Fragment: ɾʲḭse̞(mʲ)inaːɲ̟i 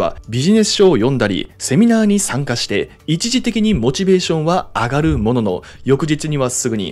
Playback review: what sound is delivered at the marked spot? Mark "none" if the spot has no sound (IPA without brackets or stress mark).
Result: mʲ